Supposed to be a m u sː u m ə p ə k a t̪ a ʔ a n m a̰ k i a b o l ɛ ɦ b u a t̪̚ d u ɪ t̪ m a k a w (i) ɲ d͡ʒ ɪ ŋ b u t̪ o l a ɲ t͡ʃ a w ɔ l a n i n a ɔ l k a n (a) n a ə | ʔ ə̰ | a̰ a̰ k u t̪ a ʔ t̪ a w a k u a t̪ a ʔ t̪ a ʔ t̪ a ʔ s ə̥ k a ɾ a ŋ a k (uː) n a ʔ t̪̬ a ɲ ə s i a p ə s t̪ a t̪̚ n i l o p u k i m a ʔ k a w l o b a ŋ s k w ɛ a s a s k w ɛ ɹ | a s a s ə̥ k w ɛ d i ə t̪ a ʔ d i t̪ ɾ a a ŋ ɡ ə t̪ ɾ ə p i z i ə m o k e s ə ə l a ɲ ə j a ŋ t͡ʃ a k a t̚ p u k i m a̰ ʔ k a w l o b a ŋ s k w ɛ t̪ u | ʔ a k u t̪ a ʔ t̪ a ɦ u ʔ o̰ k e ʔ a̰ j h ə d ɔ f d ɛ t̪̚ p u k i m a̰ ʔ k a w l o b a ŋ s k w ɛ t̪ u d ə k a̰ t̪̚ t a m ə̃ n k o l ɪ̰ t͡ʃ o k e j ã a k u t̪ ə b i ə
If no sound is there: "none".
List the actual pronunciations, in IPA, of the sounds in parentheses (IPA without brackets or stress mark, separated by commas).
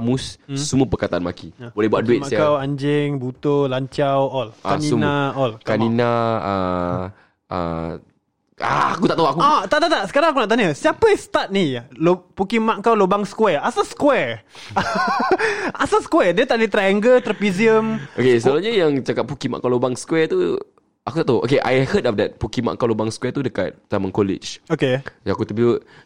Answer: a, i, u